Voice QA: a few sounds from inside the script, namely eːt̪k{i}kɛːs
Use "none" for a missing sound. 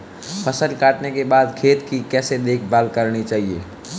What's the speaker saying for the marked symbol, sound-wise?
i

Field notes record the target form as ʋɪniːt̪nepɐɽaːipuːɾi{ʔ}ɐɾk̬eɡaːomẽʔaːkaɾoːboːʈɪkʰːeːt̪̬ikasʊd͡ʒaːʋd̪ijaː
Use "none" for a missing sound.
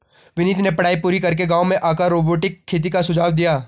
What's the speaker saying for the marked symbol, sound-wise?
k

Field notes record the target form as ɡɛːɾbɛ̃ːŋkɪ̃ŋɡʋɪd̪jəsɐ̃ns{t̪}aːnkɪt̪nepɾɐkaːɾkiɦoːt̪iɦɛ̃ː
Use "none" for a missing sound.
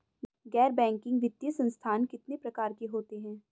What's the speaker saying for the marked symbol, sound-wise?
t̪ʰ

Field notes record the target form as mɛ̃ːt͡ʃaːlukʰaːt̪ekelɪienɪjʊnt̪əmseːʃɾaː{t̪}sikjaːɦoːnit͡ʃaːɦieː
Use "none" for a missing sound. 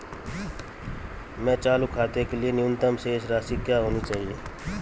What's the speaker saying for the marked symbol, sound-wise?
none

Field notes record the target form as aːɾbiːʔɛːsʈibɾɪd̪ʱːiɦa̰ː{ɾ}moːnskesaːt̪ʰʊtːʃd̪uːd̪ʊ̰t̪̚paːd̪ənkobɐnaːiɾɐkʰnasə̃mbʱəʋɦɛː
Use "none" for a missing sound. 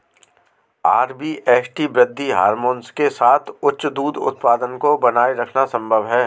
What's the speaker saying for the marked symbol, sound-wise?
ɾ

